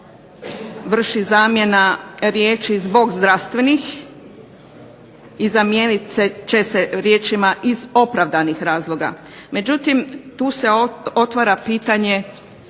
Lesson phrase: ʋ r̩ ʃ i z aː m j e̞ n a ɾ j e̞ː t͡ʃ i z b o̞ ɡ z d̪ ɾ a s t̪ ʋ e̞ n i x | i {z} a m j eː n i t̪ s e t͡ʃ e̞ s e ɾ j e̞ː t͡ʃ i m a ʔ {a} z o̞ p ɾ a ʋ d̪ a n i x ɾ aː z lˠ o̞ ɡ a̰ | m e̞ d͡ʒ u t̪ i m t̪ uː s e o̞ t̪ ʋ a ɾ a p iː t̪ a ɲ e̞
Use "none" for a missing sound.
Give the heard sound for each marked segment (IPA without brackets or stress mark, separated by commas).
z, i